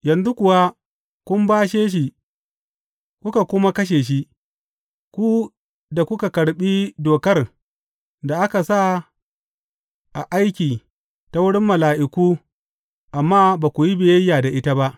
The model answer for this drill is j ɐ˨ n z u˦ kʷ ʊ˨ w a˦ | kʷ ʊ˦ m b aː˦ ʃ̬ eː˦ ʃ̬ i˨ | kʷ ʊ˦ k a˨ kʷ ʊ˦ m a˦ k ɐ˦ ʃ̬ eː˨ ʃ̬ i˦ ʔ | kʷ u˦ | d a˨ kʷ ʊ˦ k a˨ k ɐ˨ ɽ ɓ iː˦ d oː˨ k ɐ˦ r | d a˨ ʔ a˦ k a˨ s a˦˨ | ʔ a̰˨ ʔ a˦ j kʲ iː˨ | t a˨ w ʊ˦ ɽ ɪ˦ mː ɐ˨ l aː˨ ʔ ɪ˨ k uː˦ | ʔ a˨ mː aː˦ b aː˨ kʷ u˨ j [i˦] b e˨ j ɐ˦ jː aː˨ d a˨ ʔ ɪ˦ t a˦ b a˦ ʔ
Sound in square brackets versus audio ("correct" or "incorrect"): correct